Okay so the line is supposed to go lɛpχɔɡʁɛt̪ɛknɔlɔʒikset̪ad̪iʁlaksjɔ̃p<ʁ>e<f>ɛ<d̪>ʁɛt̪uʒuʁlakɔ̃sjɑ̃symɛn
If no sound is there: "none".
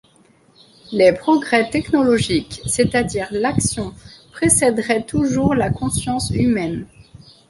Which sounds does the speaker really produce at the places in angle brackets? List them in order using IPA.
χ, s, d̪

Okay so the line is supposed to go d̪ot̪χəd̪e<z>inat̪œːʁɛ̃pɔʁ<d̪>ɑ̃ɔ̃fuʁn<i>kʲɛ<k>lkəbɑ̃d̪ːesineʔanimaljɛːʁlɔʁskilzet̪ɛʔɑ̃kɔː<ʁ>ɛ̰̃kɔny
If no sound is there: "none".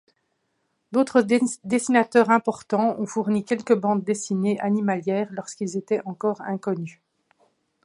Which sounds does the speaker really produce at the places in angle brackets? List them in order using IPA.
s, t̪, i, none, ʁ

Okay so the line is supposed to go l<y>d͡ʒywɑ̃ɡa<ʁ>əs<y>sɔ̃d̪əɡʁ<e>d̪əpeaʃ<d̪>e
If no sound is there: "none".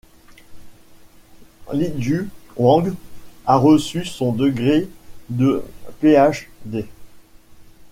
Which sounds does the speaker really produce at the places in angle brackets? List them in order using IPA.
i, ʁ, y, e, d̪

